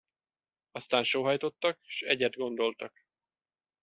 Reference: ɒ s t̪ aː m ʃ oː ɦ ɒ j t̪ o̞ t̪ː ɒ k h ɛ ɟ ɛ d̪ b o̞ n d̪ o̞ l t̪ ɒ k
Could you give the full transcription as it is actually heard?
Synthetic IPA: ɒ s t̪ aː n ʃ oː ɦ ɒ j t̪ o̞ t̪ː ɒ k ʃ ɛ ɟ ɛ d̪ ɡ o̞ n d̪ o̞ l t̪ ɒ k